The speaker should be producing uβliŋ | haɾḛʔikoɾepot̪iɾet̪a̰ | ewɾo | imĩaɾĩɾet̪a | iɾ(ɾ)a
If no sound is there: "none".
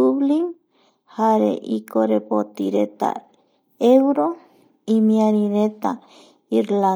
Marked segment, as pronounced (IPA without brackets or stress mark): l